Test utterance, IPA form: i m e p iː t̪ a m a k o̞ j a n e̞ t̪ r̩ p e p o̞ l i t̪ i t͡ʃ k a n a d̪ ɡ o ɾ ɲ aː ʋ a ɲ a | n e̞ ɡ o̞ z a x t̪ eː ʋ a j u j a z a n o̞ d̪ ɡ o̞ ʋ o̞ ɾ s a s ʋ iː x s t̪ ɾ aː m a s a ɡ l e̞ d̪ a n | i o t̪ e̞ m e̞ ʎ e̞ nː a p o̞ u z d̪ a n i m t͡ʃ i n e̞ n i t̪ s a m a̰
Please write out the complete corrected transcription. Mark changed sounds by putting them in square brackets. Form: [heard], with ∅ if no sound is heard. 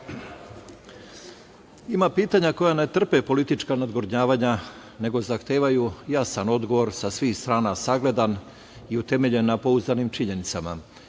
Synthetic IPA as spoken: i m [a] p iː t̪ a [ɲ] a k o̞ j a n e̞ t̪ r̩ p e p o̞ l i t̪ i t͡ʃ k a n a d̪ ɡ o ɾ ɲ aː ʋ a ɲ a | n e̞ ɡ o̞ z a x t̪ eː ʋ a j u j a [s] a n o̞ d̪ ɡ o̞ ʋ o̞ ɾ s a s ʋ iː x s t̪ ɾ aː [n] a s a ɡ l e̞ d̪ a n | i [u] t̪ e̞ m e̞ ʎ e̞ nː a p o̞ u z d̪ a n i m t͡ʃ i [ɲ] e̞ n i t̪ s a m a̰